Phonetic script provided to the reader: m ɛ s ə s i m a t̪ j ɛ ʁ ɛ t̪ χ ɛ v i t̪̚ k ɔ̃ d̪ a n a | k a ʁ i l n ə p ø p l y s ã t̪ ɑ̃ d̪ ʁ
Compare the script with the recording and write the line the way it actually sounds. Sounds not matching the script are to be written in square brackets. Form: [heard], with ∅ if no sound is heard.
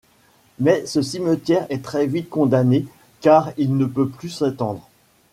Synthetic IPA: m ɛ s ə s i m [ə] t̪ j ɛ ʁ ɛ t̪ χ ɛ v i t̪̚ k ɔ̃ d̪ a n [e] | k a ʁ i l n ə p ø p l y s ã t̪ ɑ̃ d̪ ʁ

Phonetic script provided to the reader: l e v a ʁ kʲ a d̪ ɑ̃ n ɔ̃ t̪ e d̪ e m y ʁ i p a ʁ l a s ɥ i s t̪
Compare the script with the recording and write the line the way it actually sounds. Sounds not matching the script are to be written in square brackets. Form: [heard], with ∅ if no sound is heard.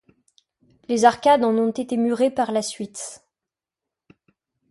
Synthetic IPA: l e [z] a ʁ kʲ a d̪ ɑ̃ n ɔ̃ t̪ e [t̪] e m y ʁ [e] p a ʁ l a s ɥ i [∅] t̪

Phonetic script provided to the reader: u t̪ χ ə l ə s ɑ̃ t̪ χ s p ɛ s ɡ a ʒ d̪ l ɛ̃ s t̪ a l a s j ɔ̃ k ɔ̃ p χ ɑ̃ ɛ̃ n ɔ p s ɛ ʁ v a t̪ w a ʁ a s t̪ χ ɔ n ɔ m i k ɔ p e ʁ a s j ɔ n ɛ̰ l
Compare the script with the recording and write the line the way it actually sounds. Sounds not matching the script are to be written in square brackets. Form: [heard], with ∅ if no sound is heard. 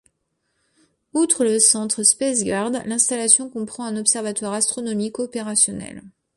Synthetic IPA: u t̪ χ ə l ə s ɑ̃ t̪ χ s p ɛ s ɡ a [ʁ] d̪ l ɛ̃ s t̪ a l a s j ɔ̃ k ɔ̃ p χ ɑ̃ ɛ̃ n ɔ p s ɛ ʁ v a t̪ w a ʁ a s t̪ χ ɔ n ɔ m i k ɔ p e ʁ a s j ɔ n ɛ̰ l

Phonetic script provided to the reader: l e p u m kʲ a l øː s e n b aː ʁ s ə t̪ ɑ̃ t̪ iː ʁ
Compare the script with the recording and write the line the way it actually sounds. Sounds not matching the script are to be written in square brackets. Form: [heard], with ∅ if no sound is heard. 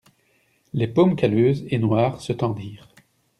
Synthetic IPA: l e p [o] m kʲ a l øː [z] e n [w] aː ʁ s ə t̪ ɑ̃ [d̪] iː ʁ

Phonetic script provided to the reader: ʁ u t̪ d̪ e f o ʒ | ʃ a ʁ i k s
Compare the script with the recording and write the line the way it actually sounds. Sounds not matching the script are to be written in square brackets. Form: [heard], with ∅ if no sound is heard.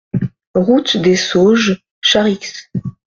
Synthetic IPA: ʁ u t̪ d̪ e [s] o ʒ | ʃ a ʁ i k s

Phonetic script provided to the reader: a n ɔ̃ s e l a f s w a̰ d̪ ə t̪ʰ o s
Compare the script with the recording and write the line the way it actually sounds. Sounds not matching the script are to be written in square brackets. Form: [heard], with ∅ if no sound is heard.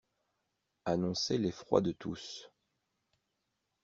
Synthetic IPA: a n ɔ̃ s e l [e] f [χ] w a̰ d̪ ə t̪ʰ [u] s

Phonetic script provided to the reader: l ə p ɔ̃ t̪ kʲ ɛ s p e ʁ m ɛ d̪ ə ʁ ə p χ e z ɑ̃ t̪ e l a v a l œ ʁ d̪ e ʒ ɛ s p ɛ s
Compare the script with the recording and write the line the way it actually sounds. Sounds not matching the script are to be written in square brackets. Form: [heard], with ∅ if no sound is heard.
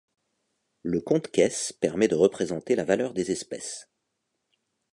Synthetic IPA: l ə [k] ɔ̃ t̪ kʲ ɛ s p [ɛ] ʁ m ɛ d̪ ə ʁ ə p χ e z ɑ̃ t̪ e l a v a l œ ʁ d̪ e [z] ɛ s p ɛ s

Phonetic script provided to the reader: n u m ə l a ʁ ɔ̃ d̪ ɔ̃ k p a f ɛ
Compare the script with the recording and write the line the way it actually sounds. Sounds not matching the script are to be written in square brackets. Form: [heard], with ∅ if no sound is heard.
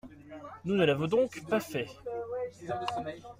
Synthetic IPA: n u [n] ə l a [v] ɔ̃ d̪ ɔ̃ k p a f ɛ

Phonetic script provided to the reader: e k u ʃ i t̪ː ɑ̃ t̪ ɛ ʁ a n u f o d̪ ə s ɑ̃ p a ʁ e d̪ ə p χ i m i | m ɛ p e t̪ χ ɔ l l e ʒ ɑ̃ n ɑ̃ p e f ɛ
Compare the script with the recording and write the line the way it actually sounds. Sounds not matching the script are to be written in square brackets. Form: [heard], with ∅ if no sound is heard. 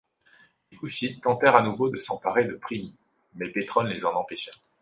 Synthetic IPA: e k u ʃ i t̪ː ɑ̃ t̪ ɛ ʁ a n u [v] o d̪ ə s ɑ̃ p a ʁ e d̪ ə p χ i m i | m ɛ p e t̪ χ ɔ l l e [z] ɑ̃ n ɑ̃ p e [ʃ] ɛ

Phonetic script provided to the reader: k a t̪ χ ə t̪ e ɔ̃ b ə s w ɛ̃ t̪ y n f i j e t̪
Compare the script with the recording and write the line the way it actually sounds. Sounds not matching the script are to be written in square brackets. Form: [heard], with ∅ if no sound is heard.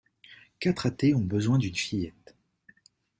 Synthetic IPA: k a t̪ χ [a] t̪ e ɔ̃ b ə [z] w ɛ̃ [d̪] y n f i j [ɛ] t̪

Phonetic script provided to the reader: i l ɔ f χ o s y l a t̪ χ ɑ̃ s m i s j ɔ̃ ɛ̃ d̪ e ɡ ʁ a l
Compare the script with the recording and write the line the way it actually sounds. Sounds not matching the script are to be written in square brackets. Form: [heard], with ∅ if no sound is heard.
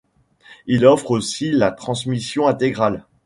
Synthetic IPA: i l ɔ f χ o s [i] l a t̪ χ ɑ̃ s m i s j ɔ̃ ɛ̃ [t̪] e ɡ ʁ a l

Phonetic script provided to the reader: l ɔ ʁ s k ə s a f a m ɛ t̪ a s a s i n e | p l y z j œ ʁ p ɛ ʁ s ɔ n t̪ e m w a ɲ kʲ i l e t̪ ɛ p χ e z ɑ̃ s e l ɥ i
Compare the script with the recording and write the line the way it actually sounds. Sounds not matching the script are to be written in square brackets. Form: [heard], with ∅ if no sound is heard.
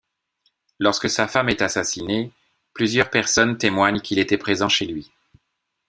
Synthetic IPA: l ɔ ʁ s k ə s a f a m ɛ t̪ a s a s i n e | p l y z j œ ʁ p ɛ ʁ s ɔ n t̪ e m w a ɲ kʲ i l e t̪ ɛ p χ e z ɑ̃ [ʃ] e l ɥ i

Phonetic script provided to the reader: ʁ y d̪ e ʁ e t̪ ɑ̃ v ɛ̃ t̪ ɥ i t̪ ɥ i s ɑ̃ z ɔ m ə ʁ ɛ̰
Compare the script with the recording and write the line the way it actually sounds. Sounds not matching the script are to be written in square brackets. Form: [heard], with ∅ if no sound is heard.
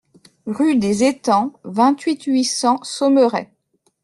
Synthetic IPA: ʁ y d̪ e [z] e t̪ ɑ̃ v ɛ̃ t̪ ɥ i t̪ ɥ i s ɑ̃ [s] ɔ m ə ʁ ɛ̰

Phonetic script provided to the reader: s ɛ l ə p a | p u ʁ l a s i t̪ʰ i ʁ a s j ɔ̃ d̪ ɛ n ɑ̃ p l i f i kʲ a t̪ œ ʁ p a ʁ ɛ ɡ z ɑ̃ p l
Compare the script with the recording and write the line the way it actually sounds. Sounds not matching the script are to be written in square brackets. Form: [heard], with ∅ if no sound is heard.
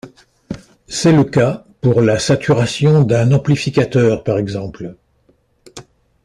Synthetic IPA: s ɛ l ə [k] a | p u ʁ l a s [a] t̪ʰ [y] ʁ a s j ɔ̃ d̪ [ɛ̃] n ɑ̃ p l i f i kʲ a t̪ œ ʁ p a ʁ ɛ ɡ z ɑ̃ p l

